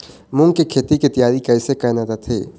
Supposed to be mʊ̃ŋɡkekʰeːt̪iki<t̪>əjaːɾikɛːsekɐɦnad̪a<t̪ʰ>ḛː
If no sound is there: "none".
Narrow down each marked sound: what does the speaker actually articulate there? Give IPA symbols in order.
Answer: t̪, t̪ʰ

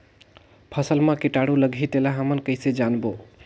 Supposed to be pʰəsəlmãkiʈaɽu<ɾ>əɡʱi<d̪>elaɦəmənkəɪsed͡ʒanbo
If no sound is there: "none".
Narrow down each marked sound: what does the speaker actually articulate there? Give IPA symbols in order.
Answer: l, t̪

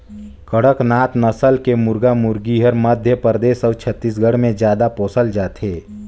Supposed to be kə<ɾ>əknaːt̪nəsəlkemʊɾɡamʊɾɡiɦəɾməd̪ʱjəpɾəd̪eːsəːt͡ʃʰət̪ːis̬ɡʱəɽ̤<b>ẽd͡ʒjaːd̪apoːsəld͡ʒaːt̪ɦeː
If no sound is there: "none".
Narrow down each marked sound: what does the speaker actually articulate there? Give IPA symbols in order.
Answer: ɽ, m

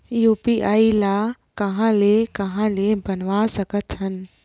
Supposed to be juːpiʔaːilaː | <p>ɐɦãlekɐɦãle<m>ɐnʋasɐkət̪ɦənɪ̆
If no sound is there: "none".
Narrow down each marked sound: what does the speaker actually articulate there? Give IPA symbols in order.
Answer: k, b

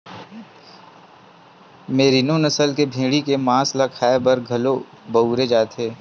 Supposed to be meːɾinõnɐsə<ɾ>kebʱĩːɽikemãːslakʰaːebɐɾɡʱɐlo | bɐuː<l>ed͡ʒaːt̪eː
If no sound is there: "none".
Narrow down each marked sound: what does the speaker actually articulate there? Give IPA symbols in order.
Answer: l, ɾ

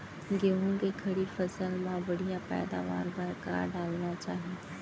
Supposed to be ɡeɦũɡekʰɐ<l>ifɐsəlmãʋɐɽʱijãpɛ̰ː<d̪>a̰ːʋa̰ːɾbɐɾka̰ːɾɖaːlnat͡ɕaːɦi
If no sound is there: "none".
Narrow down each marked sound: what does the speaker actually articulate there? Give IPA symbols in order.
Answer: ɽ, d̪

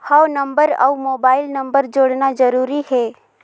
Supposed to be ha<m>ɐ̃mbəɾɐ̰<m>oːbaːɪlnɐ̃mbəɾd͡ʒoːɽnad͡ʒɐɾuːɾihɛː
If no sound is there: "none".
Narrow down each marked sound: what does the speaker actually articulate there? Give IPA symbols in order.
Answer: n, m

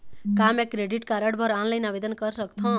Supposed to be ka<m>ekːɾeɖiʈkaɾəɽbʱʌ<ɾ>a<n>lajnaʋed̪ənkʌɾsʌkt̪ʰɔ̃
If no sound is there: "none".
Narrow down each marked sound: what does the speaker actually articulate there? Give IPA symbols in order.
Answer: m, ɾ, n

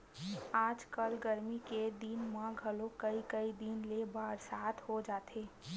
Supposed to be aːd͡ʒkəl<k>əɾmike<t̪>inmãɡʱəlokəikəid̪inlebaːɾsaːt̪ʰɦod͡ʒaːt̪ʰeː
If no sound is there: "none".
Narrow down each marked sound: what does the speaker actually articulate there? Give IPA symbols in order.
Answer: ɡ, d̪

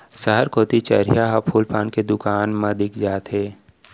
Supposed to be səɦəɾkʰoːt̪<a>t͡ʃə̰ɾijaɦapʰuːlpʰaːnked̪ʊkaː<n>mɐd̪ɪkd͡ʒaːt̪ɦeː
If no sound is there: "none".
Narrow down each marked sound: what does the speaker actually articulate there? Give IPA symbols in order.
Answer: i, n

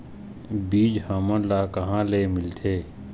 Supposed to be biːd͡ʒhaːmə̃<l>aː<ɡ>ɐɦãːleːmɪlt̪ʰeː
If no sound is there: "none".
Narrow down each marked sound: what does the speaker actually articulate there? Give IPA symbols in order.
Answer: l, k

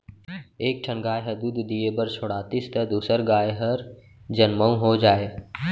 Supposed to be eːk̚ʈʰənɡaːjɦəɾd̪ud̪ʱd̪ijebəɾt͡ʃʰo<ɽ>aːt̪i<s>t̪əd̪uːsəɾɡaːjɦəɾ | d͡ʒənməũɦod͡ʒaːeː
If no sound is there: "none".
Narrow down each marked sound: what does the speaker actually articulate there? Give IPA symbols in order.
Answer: ɽ, s

